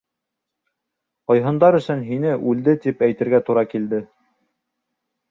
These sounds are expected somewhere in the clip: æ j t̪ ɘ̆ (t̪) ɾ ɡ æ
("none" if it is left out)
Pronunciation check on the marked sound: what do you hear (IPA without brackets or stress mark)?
none